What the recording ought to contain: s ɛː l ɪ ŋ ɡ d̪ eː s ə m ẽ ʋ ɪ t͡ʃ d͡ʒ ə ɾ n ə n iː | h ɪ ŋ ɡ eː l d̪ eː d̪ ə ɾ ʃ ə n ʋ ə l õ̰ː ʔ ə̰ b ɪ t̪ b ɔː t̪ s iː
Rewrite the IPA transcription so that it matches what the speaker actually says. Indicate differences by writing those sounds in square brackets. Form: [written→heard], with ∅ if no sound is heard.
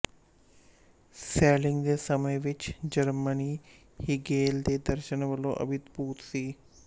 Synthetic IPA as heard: s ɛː l ɪ ŋ ɡ d̪ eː s ə m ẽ ʋ ɪ t͡ʃ d͡ʒ ə ɾ [n→m] ə n iː | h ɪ [ŋ→∅] ɡ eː l d̪ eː d̪ ə ɾ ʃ ə n ʋ ə l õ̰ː ʔ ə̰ b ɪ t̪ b [ɔː→uː] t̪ s iː